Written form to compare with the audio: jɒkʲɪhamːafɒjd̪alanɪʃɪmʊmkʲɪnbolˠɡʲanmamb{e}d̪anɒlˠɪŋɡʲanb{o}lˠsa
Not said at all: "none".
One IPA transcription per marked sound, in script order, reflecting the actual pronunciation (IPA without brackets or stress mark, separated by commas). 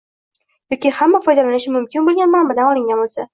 a, o